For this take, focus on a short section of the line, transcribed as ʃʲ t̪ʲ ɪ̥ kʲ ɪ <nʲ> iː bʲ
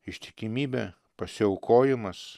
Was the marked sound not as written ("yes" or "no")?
yes